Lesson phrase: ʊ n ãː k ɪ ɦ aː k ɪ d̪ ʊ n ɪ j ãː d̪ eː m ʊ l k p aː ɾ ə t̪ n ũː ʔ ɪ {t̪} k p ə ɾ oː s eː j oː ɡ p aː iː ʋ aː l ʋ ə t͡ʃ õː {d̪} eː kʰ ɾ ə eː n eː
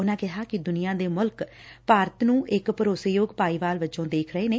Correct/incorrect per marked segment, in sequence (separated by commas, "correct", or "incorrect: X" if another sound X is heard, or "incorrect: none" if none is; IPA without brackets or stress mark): incorrect: none, correct